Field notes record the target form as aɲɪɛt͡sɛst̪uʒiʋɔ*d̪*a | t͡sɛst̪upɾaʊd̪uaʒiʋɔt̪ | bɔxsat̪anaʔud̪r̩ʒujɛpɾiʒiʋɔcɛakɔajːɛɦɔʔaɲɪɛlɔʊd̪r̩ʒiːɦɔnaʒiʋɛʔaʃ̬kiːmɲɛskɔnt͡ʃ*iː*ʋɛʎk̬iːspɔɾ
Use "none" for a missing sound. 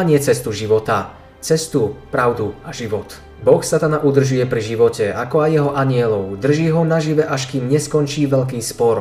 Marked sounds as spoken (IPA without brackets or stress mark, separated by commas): t̪, iː